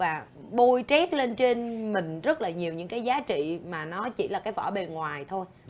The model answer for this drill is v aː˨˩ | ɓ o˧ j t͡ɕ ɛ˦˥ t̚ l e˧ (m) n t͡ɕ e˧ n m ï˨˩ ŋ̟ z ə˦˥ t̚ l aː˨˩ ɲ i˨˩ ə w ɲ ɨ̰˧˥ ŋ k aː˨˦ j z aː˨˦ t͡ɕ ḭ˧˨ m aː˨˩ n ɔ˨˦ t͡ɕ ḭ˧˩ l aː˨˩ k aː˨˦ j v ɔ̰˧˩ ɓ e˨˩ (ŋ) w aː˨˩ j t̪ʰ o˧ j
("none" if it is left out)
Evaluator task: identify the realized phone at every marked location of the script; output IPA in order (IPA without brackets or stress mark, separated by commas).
none, ŋ